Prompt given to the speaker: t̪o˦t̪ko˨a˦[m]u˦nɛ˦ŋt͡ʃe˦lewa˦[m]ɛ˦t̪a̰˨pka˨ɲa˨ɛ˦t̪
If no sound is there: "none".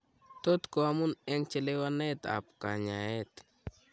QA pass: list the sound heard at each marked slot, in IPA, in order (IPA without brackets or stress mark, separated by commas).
m, n